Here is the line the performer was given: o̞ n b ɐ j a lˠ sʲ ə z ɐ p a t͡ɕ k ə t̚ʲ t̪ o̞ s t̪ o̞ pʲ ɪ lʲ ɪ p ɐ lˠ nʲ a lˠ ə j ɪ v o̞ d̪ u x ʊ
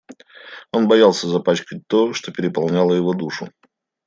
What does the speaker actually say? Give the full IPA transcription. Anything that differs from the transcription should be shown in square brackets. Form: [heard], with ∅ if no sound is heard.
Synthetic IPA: o̞ n b ɐ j a lˠ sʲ ə z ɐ p a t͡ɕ k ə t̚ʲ t̪ o̞ [ʂ] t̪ o̞ pʲ ɪ [ɾʲ] ɪ p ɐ lˠ nʲ a lˠ ə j ɪ v o̞ d̪ u [ʂ] ʊ